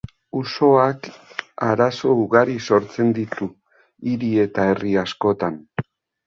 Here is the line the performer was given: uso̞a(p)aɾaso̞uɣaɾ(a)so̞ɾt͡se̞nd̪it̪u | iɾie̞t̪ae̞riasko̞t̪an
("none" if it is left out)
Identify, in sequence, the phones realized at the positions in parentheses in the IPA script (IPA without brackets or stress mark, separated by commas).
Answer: k, i